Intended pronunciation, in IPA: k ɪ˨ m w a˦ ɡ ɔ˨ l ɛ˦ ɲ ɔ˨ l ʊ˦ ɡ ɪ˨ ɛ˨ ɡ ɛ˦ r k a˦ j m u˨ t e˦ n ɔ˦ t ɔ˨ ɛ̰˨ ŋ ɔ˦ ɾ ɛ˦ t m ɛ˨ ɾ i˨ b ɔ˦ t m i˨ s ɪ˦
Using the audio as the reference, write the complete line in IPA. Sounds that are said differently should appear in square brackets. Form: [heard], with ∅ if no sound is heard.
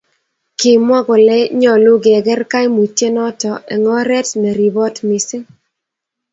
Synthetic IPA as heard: k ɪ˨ m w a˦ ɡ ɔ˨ l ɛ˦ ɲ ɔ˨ l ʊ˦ ɡ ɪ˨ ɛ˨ ɡ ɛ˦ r k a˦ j m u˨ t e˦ n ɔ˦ t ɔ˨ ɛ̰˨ ŋ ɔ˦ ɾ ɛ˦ t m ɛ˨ ɾ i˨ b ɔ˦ t m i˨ s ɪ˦